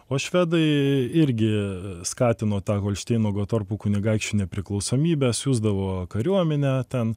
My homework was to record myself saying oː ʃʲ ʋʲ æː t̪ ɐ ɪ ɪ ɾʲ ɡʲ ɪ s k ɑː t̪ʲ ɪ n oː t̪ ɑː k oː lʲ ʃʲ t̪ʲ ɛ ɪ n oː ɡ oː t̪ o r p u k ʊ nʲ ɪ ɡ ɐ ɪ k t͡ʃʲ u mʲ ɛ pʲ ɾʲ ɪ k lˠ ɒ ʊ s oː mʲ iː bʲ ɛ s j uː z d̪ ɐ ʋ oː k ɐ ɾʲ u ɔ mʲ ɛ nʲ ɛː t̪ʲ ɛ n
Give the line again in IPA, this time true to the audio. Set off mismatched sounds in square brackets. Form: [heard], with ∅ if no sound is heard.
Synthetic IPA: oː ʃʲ ʋʲ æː [d̪] ɐ ɪ ɪ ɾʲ ɡʲ ɪ s k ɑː t̪ʲ ɪ n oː t̪ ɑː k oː lʲ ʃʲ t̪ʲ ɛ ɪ n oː ɡ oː t̪ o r p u k ʊ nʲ ɪ ɡ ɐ ɪ k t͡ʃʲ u [nʲ] ɛ pʲ ɾʲ ɪ k lˠ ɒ ʊ s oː mʲ iː bʲ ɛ s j uː z d̪ ɐ ʋ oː k ɐ ɾʲ u ɔ mʲ ɛ nʲ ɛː t̪ʲ ɛ n